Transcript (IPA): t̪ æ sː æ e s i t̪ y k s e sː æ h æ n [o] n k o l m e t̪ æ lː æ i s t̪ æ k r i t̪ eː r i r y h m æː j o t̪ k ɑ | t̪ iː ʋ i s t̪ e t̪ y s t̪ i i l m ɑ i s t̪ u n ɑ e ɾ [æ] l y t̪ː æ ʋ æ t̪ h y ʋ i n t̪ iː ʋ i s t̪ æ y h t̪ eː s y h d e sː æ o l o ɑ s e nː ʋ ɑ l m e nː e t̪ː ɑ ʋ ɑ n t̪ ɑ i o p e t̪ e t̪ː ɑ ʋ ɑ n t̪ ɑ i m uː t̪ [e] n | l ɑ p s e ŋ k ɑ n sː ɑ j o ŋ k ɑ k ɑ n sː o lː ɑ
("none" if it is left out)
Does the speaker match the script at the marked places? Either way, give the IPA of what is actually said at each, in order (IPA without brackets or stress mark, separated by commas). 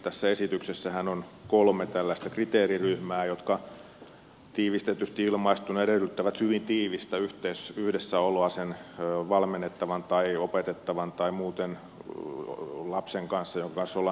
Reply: o, e, e